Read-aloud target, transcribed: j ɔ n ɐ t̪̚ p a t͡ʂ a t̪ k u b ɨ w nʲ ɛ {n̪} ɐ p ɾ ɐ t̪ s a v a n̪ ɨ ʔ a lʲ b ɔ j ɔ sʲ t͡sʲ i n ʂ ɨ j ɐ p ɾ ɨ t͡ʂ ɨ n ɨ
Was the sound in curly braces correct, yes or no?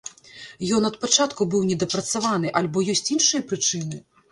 no